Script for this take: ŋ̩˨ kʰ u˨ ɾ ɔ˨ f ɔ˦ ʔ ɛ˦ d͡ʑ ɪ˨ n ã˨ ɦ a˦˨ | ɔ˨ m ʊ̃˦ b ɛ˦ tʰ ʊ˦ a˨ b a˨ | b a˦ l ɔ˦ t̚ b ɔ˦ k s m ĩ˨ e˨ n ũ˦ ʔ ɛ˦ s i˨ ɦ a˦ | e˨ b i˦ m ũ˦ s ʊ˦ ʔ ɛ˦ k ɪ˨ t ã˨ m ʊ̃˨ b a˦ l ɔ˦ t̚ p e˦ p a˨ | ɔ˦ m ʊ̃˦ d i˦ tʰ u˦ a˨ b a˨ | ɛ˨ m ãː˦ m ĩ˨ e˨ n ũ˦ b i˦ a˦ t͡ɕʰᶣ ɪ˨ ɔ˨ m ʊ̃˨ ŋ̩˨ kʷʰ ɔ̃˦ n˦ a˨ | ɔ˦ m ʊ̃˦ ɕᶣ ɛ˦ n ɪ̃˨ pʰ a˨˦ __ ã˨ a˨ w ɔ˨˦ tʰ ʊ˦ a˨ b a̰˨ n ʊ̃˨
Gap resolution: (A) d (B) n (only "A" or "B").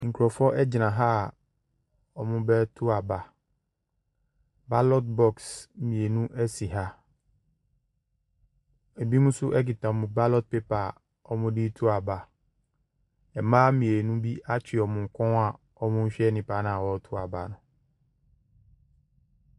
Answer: B